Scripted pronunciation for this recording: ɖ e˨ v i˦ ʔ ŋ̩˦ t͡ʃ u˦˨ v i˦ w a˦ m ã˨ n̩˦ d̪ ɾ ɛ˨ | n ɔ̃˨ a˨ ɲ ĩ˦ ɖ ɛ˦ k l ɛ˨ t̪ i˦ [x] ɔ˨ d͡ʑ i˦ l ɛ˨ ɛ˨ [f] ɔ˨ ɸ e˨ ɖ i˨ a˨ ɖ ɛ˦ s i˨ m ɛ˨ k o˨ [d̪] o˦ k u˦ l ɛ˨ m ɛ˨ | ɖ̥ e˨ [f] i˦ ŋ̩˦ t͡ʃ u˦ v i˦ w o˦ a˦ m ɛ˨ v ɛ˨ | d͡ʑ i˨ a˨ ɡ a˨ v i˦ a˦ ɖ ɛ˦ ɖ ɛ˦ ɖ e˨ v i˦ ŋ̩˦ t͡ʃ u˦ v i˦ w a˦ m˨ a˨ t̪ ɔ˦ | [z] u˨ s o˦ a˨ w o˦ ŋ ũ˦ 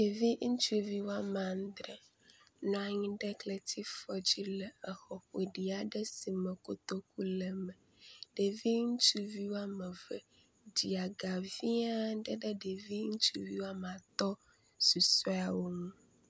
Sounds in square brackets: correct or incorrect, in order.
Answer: incorrect: f, incorrect: x, incorrect: t̪, incorrect: v, incorrect: s

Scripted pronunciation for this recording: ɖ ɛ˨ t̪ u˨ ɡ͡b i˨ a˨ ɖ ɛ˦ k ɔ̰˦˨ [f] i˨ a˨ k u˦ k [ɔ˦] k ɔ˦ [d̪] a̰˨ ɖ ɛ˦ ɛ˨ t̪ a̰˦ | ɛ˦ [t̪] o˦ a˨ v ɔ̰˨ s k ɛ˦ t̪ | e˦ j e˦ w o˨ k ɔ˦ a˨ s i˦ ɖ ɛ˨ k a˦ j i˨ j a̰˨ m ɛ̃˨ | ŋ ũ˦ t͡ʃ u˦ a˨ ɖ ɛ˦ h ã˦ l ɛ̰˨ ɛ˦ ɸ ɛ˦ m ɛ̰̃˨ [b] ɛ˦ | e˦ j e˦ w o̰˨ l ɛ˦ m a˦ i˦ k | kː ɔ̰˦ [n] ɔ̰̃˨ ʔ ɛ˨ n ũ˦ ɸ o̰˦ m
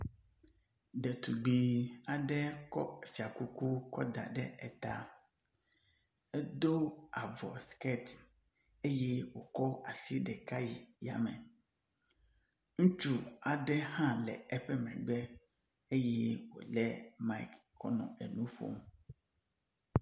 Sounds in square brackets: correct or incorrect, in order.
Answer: correct, incorrect: u˦, correct, incorrect: d̪, incorrect: ɡ͡b, correct

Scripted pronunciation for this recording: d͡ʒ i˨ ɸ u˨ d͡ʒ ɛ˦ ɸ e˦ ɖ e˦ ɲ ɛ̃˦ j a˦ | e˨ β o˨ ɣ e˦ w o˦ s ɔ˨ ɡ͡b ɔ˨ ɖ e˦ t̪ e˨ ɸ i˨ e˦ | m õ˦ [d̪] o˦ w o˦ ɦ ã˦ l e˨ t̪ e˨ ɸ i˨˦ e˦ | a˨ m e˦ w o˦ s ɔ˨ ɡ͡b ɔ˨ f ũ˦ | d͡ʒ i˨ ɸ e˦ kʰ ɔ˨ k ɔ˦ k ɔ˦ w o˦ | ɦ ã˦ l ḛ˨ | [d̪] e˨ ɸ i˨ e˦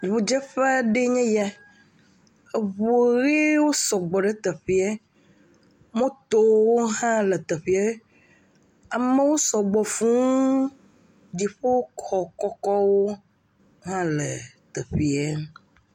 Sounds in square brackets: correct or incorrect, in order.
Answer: incorrect: t̪, incorrect: t̪

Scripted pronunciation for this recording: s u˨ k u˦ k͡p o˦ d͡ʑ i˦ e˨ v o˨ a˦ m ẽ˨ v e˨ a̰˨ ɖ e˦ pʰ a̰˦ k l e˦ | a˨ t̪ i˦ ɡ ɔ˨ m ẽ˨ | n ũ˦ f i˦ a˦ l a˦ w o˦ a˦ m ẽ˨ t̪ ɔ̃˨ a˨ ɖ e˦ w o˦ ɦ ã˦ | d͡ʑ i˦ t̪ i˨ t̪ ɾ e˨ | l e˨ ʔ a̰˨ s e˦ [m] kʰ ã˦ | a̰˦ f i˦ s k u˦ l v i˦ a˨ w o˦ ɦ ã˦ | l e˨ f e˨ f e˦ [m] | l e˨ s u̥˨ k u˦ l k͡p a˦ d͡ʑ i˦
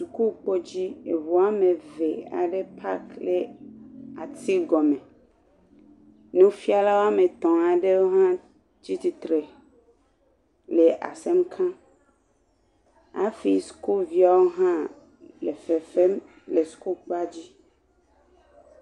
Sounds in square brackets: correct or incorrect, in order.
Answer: correct, correct

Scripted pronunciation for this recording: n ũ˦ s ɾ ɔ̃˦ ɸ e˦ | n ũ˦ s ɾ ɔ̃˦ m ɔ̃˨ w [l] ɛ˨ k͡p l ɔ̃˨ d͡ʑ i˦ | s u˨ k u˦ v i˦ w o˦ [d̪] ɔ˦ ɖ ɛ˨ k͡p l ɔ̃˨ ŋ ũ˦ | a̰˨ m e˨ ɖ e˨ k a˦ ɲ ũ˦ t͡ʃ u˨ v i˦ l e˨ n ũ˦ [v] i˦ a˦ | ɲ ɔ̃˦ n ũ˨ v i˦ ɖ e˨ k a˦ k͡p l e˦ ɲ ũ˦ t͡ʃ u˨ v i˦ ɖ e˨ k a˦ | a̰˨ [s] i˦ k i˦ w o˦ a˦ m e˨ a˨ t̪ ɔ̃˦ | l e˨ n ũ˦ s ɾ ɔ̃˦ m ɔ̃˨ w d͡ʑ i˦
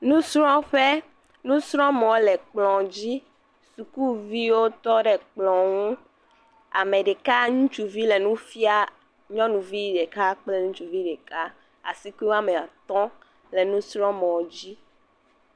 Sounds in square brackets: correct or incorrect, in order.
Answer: correct, incorrect: t̪, incorrect: f, correct

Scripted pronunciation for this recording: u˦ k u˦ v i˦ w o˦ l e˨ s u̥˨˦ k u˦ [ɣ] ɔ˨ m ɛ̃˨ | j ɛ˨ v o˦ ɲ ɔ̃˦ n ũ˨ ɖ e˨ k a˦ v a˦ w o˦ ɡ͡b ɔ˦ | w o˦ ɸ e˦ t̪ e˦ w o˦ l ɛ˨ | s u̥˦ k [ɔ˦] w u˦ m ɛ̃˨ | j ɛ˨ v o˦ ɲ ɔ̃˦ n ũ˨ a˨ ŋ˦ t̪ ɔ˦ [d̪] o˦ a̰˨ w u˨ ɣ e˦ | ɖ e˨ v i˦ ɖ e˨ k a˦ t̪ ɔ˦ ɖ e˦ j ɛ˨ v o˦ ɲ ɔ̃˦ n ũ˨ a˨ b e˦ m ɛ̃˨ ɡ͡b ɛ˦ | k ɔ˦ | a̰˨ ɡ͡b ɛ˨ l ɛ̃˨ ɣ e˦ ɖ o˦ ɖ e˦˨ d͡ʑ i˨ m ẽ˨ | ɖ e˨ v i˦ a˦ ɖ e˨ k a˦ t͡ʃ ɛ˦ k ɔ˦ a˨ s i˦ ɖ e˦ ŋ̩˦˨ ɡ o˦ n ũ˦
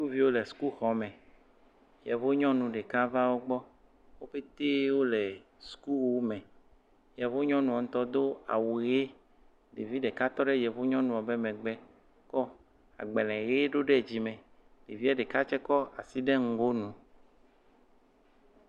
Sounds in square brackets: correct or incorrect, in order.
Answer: incorrect: x, incorrect: u˦, correct

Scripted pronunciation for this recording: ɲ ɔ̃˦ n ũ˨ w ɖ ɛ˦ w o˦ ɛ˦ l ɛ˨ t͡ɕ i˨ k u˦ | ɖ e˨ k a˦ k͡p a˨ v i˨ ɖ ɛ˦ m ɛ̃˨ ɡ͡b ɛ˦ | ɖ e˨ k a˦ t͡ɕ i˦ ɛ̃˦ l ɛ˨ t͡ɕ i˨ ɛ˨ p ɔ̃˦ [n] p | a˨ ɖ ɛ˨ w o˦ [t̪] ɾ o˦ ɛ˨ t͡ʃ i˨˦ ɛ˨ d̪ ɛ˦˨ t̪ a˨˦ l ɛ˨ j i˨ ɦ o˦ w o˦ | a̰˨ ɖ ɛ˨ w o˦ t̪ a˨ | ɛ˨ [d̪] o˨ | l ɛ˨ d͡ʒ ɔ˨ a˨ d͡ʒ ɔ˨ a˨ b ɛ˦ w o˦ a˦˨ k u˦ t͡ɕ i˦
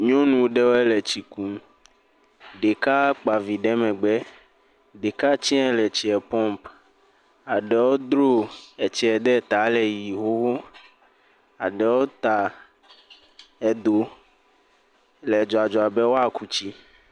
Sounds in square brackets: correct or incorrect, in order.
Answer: incorrect: m, incorrect: d̪, correct

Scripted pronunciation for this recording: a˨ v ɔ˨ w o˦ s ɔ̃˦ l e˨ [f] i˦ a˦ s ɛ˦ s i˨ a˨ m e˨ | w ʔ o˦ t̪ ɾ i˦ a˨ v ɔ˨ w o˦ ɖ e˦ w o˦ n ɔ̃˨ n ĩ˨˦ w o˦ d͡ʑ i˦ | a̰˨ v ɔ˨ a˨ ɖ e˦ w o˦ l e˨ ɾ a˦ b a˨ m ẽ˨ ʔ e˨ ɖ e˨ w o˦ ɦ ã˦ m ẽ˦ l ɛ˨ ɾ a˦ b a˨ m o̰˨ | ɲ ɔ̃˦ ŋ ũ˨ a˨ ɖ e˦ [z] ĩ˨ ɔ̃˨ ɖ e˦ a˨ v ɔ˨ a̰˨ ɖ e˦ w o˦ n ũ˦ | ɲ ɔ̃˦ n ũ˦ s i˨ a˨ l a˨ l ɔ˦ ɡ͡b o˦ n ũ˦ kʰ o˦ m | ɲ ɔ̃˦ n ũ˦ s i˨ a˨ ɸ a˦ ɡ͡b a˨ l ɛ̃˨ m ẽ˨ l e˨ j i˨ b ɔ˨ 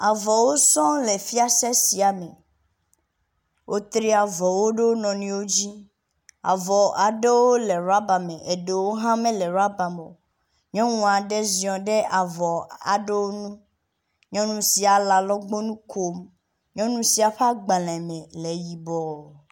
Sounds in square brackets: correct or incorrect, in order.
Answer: correct, correct

